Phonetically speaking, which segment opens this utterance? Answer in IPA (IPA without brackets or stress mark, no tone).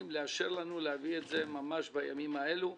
m